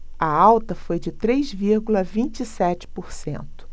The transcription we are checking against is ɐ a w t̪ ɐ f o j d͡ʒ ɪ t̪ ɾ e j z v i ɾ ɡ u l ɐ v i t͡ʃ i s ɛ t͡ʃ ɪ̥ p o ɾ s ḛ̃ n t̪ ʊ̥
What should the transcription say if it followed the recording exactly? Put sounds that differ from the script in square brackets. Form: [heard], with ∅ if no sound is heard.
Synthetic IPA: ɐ a w t̪ ɐ f o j d͡ʒ ɪ t̪ ɾ e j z v i ɾ ɡ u l ɐ v [ĩ] t͡ʃ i s ɛ t͡ʃ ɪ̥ p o ɾ s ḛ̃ n t̪ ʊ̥